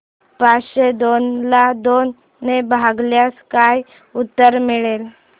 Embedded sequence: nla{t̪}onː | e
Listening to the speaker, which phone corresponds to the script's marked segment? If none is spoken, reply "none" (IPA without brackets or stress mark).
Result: d̪